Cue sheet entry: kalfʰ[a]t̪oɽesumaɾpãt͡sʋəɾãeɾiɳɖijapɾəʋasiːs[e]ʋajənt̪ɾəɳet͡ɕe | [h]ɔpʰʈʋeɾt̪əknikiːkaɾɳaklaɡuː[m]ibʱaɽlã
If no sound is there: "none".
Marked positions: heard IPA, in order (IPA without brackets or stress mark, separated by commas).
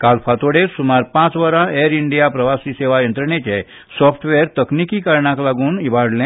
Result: a, e, s, n